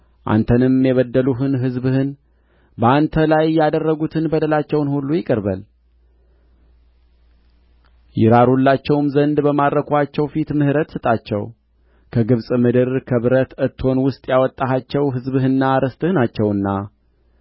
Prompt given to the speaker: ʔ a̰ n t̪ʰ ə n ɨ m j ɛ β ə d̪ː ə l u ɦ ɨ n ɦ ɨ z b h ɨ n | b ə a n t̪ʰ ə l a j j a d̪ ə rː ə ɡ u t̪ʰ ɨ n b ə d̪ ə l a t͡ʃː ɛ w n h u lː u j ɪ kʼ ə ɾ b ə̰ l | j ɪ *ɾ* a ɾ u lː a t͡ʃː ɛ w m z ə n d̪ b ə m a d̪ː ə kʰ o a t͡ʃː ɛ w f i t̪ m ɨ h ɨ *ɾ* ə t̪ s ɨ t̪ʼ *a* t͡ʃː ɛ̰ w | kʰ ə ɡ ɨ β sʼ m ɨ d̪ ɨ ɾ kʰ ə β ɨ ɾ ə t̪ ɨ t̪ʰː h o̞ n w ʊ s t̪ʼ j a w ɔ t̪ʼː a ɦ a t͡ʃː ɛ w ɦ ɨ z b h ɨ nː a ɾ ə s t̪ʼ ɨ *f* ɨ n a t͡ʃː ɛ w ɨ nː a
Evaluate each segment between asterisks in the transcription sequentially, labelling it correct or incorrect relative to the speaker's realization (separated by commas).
correct, correct, correct, incorrect